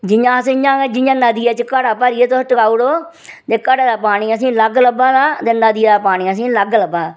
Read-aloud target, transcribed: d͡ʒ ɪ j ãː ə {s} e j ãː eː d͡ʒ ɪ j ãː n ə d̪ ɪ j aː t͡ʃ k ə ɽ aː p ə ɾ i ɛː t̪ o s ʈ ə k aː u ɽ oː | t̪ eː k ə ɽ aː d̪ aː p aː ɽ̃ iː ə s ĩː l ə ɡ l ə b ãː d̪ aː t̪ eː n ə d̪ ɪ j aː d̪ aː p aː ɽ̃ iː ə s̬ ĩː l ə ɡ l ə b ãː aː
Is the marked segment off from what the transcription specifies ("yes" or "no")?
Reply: no